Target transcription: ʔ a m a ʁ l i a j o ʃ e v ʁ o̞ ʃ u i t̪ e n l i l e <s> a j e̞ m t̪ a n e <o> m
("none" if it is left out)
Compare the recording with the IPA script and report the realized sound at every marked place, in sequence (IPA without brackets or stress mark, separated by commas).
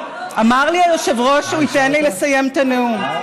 s, u